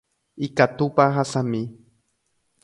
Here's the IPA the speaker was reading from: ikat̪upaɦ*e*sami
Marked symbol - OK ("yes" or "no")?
no